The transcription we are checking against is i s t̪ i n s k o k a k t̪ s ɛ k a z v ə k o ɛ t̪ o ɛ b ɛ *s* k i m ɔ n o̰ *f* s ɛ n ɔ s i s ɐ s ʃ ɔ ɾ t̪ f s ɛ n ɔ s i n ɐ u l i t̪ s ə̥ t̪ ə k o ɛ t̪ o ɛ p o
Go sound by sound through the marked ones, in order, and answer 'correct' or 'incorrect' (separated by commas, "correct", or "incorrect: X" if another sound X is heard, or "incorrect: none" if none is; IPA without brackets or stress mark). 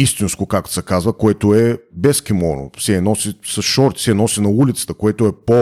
correct, correct